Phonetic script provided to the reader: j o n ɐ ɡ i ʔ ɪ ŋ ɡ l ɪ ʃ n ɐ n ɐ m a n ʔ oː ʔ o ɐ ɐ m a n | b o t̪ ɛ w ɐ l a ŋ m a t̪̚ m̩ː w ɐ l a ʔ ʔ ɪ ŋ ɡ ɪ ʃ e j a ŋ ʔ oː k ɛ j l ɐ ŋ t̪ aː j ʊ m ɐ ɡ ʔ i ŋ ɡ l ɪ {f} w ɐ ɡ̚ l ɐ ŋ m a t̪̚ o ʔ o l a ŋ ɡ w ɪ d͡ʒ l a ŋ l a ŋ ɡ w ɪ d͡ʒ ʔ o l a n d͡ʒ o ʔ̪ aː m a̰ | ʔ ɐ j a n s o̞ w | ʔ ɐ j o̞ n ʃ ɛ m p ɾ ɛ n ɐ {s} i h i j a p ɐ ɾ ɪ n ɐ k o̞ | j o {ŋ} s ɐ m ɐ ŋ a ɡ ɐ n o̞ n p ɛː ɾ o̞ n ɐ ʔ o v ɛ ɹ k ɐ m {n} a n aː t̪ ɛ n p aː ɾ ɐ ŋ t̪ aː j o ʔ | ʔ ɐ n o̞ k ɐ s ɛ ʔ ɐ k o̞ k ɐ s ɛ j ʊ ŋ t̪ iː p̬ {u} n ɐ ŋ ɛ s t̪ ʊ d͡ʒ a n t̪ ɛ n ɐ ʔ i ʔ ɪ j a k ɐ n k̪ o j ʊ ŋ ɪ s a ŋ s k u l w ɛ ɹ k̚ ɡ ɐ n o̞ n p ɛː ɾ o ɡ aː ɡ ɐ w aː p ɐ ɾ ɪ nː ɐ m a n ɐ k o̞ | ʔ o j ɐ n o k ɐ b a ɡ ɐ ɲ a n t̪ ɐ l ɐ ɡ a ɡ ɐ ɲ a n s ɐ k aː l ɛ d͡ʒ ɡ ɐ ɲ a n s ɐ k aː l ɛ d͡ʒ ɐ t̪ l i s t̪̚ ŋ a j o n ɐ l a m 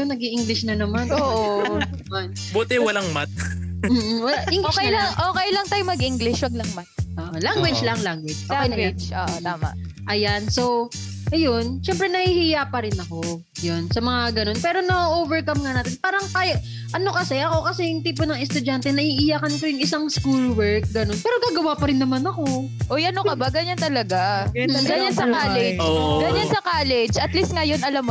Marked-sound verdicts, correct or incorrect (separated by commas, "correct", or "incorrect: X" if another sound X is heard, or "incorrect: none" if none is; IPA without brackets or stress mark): incorrect: ʃ, incorrect: h, incorrect: n, incorrect: ŋ, incorrect: o